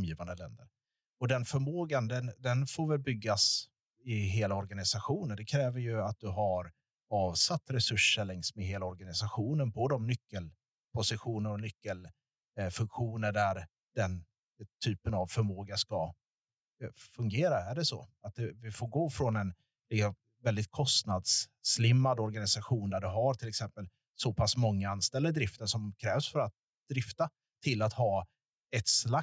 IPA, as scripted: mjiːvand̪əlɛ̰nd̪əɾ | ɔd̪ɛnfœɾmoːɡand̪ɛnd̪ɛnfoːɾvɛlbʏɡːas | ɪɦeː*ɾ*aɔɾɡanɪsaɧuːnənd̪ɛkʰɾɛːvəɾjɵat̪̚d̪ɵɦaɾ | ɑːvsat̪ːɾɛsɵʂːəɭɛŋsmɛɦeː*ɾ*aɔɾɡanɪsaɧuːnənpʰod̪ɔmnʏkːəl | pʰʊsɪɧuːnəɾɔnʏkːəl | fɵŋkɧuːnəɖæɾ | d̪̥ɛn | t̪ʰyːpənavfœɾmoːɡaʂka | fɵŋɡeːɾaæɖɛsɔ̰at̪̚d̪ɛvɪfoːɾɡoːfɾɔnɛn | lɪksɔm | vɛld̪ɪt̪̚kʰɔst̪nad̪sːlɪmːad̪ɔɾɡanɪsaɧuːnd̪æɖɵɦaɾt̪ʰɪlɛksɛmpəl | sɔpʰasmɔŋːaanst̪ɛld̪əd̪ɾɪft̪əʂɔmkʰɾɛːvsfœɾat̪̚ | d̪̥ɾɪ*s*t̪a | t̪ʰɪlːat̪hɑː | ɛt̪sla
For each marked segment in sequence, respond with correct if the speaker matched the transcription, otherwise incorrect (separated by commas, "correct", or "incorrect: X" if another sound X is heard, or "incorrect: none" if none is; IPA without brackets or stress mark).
incorrect: l, incorrect: l, incorrect: f